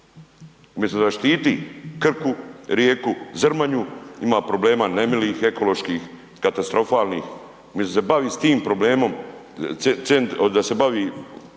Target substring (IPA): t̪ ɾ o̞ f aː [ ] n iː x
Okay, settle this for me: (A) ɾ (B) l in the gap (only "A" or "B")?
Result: B